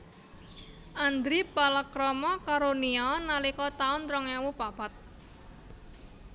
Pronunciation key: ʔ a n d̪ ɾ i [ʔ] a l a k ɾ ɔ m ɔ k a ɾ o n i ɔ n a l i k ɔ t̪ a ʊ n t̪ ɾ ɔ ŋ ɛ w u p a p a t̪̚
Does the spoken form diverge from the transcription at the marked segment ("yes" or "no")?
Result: yes